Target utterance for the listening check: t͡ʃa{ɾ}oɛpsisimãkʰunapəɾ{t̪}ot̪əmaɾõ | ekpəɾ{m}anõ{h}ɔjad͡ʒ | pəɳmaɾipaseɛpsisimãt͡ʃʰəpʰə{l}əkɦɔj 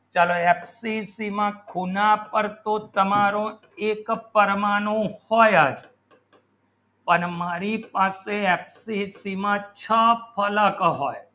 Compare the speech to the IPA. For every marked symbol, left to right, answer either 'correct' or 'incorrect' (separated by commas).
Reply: incorrect, correct, correct, correct, correct